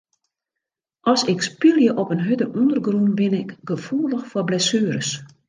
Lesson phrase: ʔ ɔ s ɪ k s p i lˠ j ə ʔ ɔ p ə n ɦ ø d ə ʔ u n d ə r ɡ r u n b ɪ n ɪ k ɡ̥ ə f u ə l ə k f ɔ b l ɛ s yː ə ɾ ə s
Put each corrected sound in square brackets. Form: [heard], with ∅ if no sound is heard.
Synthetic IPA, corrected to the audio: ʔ ɔ s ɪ k s p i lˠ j ə ʔ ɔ p ə n ɦ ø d ə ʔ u n d ə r ɡ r u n b ɪ n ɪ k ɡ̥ ə f u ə l ə [x] f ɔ b l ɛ s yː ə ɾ ə s

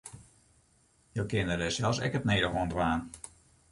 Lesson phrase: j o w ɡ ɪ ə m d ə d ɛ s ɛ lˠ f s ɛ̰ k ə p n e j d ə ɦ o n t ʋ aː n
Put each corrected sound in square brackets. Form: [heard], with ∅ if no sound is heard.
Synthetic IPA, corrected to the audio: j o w [k] ɪ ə [n] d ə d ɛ s ɛ lˠ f s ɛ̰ k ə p n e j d ə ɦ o n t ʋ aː n

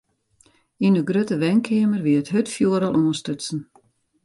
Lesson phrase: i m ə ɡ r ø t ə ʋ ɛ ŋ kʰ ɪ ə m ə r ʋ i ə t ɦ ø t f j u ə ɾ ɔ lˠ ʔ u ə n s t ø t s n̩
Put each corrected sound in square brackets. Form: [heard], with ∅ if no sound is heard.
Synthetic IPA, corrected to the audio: i [n] ə ɡ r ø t ə ʋ ɛ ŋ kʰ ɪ ə m ə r ʋ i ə t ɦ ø t f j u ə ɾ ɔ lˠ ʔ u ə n s t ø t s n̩

